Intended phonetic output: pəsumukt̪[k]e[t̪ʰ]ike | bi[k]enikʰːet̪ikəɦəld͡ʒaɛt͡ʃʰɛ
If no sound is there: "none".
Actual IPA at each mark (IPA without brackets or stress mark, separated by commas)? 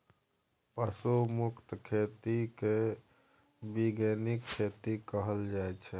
kʰ, t̪, ɡ